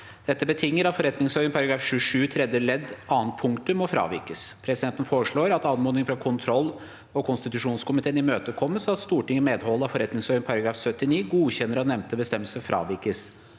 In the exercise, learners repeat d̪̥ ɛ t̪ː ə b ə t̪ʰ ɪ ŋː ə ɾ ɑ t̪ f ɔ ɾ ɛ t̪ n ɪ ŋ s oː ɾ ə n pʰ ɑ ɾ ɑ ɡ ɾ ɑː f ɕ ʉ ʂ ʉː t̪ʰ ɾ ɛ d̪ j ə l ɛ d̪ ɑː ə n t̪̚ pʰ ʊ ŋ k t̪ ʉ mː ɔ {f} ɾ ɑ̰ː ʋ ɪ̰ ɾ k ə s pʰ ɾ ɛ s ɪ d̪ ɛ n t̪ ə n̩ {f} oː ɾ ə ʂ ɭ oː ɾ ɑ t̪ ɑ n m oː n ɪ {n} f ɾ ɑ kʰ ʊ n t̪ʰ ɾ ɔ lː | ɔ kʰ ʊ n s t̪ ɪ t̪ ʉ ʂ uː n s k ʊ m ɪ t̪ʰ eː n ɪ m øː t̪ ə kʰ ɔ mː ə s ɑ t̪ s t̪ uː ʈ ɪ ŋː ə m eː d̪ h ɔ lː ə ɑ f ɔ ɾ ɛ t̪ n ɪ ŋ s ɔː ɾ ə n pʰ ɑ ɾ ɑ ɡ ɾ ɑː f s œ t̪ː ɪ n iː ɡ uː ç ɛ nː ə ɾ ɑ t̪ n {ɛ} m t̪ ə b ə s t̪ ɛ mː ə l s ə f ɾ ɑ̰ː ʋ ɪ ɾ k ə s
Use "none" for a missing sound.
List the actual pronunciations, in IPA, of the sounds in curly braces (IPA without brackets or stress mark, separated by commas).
f, f, ŋ, ɛ